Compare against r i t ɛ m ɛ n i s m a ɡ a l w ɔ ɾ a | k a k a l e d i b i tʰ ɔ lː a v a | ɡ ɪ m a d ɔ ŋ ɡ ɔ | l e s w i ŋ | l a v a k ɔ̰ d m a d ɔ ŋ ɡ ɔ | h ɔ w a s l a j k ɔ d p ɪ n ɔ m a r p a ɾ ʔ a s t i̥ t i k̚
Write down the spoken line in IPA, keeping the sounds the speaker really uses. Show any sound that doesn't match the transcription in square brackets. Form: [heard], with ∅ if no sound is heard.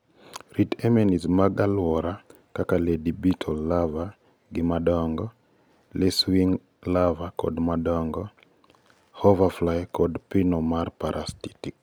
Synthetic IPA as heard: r i t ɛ m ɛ n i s m a ɡ a l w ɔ ɾ a | k a k a l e d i b i tʰ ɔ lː a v a | ɡ ɪ m a d ɔ ŋ ɡ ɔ | l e s w i ŋ | l a v a k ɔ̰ d m a d ɔ ŋ ɡ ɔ | h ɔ [v] a [f] l a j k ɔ d p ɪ n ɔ m a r p a ɾ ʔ a s t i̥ t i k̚